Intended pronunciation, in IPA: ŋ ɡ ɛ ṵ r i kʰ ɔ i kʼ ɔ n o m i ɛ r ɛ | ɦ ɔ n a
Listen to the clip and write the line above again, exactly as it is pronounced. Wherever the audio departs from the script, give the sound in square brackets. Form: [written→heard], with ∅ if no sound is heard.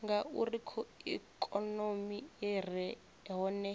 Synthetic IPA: ŋ ɡ [ɛ→a] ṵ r i kʰ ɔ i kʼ ɔ n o m i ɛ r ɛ | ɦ ɔ n [a→ɛ]